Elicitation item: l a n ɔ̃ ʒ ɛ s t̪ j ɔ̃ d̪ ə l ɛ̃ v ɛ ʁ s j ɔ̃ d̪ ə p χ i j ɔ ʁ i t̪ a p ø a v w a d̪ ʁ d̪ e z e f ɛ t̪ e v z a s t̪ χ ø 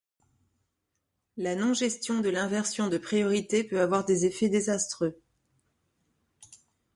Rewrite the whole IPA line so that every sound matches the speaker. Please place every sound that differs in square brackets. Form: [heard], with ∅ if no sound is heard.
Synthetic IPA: l a n ɔ̃ ʒ ɛ s t̪ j ɔ̃ d̪ ə l ɛ̃ v ɛ ʁ s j ɔ̃ d̪ ə p χ i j ɔ ʁ i t̪ [e] p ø a v w a [∅] ʁ d̪ e z e f ɛ [d̪] e [∅] z a s t̪ χ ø